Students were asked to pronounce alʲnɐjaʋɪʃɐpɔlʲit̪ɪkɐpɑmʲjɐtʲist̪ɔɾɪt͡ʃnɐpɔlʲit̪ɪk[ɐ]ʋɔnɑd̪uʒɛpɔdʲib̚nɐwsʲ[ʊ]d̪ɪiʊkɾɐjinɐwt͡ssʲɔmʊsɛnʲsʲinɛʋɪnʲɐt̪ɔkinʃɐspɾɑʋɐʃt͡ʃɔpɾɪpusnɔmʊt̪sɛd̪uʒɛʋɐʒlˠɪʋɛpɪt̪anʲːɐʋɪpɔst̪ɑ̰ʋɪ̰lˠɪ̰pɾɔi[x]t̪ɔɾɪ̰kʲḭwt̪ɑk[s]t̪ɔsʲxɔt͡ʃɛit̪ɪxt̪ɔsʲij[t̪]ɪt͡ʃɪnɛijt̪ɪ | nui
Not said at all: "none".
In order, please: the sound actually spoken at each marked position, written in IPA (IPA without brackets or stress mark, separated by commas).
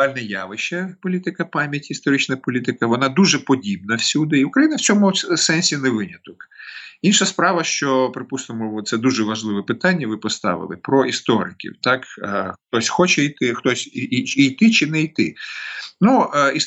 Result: ɐ, u, s, x, t̪